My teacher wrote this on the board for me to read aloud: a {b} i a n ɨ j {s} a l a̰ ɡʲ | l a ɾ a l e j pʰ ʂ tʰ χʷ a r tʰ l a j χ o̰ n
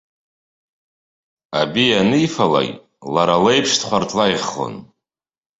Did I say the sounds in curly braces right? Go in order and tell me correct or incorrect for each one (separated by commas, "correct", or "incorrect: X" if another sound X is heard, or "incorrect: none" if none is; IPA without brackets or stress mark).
correct, incorrect: f